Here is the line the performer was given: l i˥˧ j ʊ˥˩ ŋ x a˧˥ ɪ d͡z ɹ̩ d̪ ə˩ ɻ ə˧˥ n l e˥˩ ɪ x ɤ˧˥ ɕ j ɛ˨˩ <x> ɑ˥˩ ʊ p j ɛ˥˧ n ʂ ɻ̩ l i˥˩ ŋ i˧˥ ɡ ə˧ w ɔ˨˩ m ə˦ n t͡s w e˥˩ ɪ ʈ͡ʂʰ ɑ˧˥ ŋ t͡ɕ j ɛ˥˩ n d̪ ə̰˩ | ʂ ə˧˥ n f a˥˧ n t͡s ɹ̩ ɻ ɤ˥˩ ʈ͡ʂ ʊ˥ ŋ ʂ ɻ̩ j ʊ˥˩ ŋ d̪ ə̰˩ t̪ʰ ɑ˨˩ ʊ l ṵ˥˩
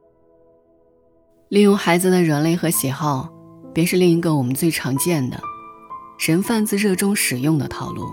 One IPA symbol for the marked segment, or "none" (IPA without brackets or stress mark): x